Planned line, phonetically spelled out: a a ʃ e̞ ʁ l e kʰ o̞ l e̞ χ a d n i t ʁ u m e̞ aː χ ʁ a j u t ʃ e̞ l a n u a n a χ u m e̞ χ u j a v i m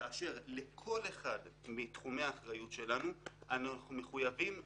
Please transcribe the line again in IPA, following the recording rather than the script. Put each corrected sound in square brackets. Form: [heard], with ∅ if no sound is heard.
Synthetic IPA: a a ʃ e̞ ʁ l e kʰ o̞ l e̞ χ a d [m] i t [χ] u m e̞ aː χ ʁ a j u t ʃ e̞ l a n u a n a χ u m e̞ χ u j a v i m